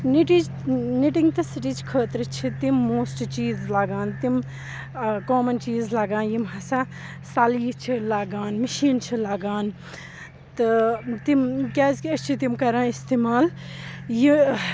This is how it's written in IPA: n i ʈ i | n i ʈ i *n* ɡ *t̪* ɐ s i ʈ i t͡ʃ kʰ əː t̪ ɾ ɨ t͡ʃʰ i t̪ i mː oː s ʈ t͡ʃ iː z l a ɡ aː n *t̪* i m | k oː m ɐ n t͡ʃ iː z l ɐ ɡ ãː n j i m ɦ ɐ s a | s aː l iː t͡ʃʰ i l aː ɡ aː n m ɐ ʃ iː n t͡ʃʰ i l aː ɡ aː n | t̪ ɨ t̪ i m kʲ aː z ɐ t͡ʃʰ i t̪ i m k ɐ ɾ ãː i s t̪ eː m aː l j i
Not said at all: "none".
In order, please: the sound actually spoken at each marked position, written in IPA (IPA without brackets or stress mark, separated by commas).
ŋ, t̪, t̪